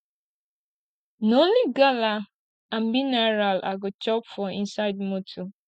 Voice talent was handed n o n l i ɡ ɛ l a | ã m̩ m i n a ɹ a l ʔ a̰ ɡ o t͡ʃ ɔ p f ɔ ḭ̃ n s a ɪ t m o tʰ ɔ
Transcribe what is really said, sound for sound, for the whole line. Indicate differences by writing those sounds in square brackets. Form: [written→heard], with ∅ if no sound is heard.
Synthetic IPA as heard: n o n l i ɡ [ɛ→a] l a | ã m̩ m i n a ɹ a l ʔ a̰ ɡ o t͡ʃ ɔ p f ɔ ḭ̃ n s a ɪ [t→d] m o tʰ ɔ